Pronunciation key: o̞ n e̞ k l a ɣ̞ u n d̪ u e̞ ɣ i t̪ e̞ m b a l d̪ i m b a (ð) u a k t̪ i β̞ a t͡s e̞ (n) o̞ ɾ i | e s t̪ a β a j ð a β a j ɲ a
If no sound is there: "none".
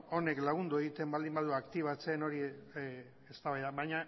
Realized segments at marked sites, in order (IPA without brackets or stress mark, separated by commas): ð, n